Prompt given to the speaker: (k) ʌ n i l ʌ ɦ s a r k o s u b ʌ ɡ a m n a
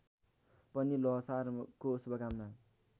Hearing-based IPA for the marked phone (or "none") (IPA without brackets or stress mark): p